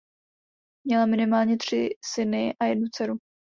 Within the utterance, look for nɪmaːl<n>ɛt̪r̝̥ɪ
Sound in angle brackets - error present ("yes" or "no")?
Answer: yes